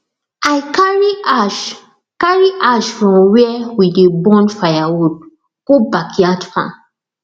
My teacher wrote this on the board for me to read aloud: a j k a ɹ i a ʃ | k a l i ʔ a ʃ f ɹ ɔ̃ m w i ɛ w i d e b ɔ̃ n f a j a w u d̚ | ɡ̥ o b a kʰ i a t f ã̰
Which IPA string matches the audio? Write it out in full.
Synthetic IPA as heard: a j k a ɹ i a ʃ | k a ɹ i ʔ a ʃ f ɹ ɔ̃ m w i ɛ w i d e b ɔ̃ n f a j a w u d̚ | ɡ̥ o b a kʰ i a t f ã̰